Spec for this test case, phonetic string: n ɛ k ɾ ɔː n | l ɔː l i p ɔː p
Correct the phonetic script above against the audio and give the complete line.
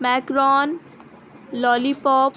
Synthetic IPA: m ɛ k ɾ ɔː n | l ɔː l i p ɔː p

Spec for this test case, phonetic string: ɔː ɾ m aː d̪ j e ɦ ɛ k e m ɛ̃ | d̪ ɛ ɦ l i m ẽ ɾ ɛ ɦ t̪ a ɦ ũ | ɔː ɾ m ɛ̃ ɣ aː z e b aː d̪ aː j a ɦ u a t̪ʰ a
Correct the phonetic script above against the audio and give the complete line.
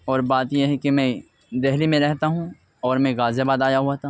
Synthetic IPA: ɔː ɾ b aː t̪ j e ɦ ɛ k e m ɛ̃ | d̪ ɛ ɦ l i m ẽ ɾ ɛ ɦ t̪ a ɦ ũ | ɔː ɾ m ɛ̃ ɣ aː z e b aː d̪ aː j a ɦ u a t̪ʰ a

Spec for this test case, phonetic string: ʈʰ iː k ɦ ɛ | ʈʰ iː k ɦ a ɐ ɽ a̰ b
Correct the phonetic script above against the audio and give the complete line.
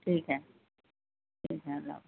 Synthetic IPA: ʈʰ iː k ɦ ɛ | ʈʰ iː k ɦ ɛ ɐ l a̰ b

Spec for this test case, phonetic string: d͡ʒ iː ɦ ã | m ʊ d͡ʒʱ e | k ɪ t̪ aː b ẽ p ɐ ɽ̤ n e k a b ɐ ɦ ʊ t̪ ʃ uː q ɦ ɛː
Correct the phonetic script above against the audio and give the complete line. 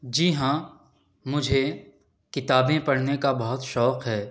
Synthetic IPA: d͡ʒ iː ɦ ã | m ʊ d͡ʒʱ e | k ɪ t̪ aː b ẽ p ɐ ɽ̤ n e k a b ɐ ɦ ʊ t̪ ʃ ɔː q ɦ ɛː

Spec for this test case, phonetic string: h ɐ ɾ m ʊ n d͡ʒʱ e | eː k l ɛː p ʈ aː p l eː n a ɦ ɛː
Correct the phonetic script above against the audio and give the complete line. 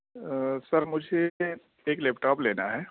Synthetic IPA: s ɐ ɾ m ʊ d͡ʒʱ e | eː k l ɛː p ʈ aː p l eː n a ɦ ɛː

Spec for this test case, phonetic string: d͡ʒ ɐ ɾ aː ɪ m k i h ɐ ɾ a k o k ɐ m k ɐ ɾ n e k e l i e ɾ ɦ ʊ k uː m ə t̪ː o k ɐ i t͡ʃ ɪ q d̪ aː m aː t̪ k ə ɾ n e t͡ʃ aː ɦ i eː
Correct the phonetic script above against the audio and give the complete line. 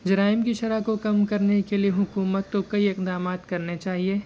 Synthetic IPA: d͡ʒ ɐ ɾ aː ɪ m k i ʃ ɐ ɾ a k o k ɐ m k ɐ ɾ n e k e l i e ɦ ʊ k uː m ə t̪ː o k ɐ i ɪ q d̪ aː m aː t̪ k ɐ ɾ n e t͡ʃ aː ɦ i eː

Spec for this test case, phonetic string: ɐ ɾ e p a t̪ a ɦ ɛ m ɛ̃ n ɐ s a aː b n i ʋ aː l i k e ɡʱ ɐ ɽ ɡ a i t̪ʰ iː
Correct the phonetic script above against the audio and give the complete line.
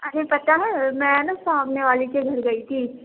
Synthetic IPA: ɐ ɾ e p ɐ t̪ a ɦ ɛ m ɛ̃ n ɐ s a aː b n e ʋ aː l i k e ɡʱ ɐ ɾ ɡ ɐ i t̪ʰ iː

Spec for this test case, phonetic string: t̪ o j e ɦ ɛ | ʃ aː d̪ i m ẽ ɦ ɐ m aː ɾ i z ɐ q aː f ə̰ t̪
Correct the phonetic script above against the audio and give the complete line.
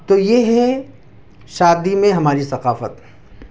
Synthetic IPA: t̪ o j e ɦ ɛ | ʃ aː d̪ i m ẽ ɦ ɐ m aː ɾ i s ɐ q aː f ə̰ t̪

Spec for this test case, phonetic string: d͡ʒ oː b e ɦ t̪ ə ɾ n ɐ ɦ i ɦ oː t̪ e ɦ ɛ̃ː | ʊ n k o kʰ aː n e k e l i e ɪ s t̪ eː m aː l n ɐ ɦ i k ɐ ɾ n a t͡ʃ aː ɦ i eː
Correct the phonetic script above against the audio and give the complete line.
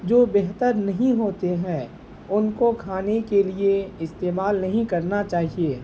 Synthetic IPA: d͡ʒ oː b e ɦ t̪ ə ɾ n ɐ ɦ ĩ ɦ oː t̪ e ɦ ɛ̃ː | ʊ n k o kʰ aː n e k e l i e ɪ s t̪ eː m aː l n ɐ ɦ ĩ k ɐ ɾ n a t͡ʃ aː ɦ i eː

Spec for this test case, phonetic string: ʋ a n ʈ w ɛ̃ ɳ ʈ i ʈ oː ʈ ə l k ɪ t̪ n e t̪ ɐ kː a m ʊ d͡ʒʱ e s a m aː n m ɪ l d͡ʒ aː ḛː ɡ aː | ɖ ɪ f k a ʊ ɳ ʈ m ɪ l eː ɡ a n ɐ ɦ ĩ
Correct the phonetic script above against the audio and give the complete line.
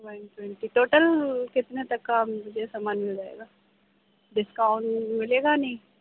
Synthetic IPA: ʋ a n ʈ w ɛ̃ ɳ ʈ i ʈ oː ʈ ə l k ɪ t̪ n e t̪ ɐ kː a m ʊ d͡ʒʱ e s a m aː n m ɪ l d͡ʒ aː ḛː ɡ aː | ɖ ɪ s k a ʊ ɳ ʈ m ɪ l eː ɡ a n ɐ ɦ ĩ

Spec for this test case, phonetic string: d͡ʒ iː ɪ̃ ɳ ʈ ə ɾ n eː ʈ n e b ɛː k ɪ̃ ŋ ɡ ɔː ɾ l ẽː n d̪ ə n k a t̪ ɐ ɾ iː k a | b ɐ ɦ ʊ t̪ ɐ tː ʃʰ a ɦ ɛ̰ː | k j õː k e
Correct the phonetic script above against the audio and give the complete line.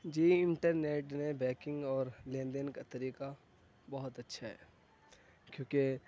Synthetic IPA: d͡ʒ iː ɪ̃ ɳ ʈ ə ɾ n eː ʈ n e b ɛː k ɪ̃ ŋ ɡ ɔː ɾ l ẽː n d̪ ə n k a t̪ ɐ ɾ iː k a | b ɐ ɦ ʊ t̪ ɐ tː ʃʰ a ɦ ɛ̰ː | k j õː k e

